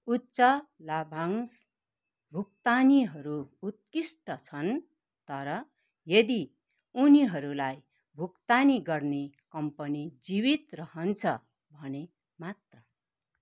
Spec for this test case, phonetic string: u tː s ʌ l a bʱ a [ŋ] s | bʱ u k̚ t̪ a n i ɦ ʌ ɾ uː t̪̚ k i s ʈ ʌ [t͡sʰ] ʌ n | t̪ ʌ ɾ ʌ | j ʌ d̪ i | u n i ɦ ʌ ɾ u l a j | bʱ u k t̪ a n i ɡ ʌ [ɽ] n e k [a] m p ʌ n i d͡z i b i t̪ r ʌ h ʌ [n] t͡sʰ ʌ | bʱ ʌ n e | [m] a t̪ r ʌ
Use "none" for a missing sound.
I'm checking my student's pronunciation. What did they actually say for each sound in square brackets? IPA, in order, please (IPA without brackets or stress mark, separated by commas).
ŋ, t͡sʰ, r, ʌ, n, m